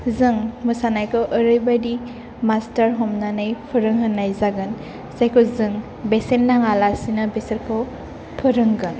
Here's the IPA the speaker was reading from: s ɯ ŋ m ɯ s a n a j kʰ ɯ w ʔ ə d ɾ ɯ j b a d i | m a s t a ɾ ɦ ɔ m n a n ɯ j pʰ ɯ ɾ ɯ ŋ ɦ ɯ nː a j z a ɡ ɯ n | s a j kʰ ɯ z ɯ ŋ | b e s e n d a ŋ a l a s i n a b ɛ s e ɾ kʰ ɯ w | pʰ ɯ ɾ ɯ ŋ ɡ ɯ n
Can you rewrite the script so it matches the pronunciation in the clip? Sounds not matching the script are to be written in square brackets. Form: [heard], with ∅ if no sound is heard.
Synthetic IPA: [z] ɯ ŋ m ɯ s a n a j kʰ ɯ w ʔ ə [∅] ɾ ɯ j b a d i | m a s t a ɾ ɦ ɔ m n a n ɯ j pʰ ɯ ɾ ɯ ŋ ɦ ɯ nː a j z a ɡ ɯ n | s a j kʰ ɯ z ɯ ŋ | b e s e n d a ŋ a l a s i n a b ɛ s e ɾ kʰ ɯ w | pʰ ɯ ɾ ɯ ŋ ɡ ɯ n

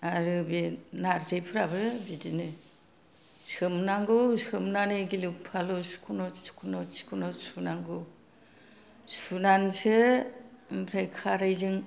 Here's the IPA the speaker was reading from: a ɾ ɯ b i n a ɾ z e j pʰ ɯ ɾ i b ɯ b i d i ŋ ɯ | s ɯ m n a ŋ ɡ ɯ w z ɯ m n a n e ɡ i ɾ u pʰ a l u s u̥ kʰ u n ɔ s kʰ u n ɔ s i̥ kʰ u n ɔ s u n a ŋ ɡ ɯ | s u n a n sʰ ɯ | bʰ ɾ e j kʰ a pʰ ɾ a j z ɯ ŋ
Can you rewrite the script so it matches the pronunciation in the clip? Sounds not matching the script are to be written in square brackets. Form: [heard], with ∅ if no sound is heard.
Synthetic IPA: a ɾ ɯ b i n a ɾ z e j pʰ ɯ ɾ [a] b ɯ b i d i [n] ɯ | s ɯ m n a ŋ ɡ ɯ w [s] ɯ m n a n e ɡ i [l] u pʰ a l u s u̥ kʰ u n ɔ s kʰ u n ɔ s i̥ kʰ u n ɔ s u n a ŋ ɡ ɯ | s u n a n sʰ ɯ | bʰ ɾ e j kʰ a [∅] ɾ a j z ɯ ŋ

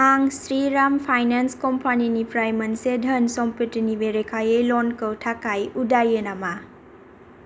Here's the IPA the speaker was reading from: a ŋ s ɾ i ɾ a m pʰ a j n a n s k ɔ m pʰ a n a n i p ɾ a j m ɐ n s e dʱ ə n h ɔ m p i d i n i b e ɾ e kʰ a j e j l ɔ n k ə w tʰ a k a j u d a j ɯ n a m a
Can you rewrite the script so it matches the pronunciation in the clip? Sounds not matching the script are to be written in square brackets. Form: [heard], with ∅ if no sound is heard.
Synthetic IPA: a ŋ s ɾ i ɾ a m pʰ a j n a n s k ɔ m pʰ a n [i] n i p ɾ a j m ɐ n s e dʱ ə n [s] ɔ m p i [t] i n i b e ɾ e kʰ a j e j l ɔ n k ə w tʰ a k a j u d a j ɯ n a m a

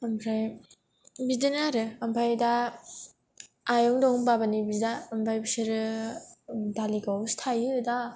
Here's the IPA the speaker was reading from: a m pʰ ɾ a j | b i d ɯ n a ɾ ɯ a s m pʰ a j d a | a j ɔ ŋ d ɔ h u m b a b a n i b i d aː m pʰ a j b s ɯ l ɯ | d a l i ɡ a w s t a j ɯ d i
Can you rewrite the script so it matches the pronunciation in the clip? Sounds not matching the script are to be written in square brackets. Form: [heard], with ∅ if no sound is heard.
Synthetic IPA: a m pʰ ɾ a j | b i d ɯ n a ɾ ɯ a [∅] m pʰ a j d a | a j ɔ ŋ d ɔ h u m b a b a n i b i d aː m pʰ a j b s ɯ [ɾ] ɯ | d a l i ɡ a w s [tʰ] a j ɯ d [a]

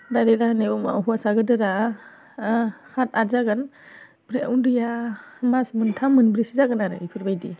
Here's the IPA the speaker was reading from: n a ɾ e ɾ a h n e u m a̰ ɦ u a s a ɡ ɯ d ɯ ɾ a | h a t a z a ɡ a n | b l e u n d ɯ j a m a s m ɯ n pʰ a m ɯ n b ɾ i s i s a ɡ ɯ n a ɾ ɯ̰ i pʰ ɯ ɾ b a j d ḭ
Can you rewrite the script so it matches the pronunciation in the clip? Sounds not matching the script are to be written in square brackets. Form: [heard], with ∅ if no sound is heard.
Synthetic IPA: [d] a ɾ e ɾ a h n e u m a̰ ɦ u a s a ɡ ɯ d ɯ ɾ a | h a t a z a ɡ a n | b [ɾ] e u n d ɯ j a m a s m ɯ n [tʰ] a m ɯ n b ɾ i s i [z] a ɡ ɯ n a ɾ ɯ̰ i pʰ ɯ ɾ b a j d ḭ

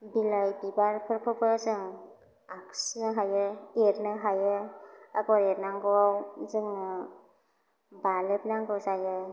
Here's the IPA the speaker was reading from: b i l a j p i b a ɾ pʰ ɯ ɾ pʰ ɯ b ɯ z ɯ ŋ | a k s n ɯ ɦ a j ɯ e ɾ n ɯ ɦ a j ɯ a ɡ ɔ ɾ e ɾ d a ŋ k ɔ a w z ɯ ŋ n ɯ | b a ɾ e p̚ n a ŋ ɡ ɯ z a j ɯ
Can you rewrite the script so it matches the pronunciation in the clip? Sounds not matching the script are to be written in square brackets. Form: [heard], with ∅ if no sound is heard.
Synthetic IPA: b i l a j [b] i b a ɾ pʰ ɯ ɾ pʰ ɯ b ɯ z ɯ ŋ | a k s n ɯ ɦ a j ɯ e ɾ n ɯ ɦ a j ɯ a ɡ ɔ ɾ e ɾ [n] a ŋ [ɡ] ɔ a w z ɯ ŋ n ɯ | b a [l] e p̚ n a ŋ ɡ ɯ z a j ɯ

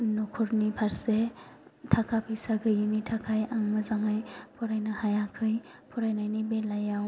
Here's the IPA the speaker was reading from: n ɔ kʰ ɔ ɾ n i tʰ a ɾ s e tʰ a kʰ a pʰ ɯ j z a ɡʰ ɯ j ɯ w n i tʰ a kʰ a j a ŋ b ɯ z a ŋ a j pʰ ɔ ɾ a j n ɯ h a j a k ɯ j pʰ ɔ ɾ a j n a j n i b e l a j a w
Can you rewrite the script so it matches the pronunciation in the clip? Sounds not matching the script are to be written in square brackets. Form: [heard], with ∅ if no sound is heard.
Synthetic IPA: n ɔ kʰ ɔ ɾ n i [pʰ] a ɾ s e tʰ a kʰ a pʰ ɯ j [s] a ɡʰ ɯ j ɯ [∅] n i tʰ a kʰ a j a ŋ [m] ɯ z a ŋ a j pʰ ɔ ɾ a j n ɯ h a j a [kʰ] ɯ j pʰ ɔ ɾ a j n a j n i b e l a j a w

